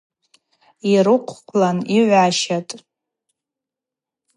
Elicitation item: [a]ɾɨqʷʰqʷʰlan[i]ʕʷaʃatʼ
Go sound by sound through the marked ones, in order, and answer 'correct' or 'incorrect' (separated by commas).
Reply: incorrect, correct